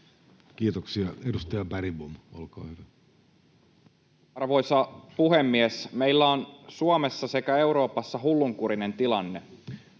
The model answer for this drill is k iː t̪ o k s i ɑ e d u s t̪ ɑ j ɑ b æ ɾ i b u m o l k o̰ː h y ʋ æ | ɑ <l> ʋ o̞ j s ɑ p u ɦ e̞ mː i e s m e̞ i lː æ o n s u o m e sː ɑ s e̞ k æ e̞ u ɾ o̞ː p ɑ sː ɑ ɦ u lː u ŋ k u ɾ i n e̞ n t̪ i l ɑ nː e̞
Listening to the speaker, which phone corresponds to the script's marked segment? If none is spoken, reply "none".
r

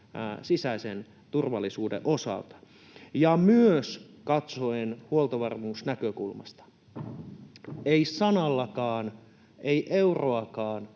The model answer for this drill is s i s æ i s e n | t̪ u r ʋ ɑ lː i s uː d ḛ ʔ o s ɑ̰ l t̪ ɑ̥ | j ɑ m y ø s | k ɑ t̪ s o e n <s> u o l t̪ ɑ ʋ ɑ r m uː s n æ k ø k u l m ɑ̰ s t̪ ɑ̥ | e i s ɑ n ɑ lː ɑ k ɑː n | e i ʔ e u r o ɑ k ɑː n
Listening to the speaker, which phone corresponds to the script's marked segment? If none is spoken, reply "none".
h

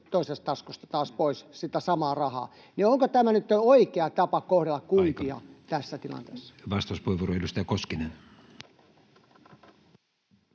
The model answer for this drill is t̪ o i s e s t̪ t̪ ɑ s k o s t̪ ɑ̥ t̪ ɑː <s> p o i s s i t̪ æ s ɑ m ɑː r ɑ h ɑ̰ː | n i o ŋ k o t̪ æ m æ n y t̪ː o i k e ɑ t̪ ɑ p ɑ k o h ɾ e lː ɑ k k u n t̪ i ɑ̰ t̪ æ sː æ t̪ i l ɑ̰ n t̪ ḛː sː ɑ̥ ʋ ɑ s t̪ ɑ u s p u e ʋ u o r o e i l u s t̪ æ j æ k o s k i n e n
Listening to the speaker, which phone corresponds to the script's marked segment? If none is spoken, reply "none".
s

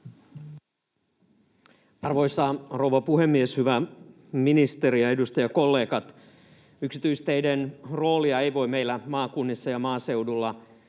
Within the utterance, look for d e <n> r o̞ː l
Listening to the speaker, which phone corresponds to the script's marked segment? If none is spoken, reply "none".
n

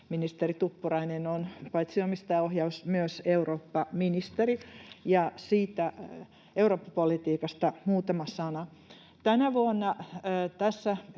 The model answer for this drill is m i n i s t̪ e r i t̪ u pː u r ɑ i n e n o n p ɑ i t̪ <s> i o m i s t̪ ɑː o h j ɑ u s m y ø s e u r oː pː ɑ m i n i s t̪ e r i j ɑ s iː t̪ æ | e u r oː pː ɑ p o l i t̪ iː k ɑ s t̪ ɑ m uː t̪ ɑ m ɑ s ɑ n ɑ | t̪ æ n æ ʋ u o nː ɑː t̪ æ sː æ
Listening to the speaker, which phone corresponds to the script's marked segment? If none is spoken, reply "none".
s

